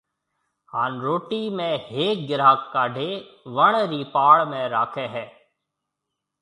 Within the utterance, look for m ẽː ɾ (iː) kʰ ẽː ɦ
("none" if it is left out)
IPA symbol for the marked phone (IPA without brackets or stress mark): aː